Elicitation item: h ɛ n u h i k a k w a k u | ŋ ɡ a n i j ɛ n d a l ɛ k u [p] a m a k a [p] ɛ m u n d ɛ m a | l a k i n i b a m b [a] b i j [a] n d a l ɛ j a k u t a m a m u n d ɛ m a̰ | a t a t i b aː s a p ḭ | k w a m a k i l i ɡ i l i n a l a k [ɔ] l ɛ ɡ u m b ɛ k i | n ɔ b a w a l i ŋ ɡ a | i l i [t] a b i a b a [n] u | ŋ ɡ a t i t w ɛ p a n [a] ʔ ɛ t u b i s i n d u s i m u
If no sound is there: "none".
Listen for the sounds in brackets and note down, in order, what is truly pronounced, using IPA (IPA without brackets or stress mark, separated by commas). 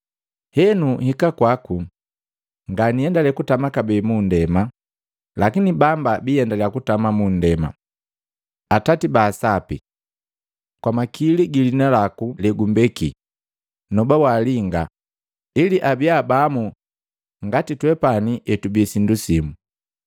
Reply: t, b, a, ɛ, u, ʔ, m, i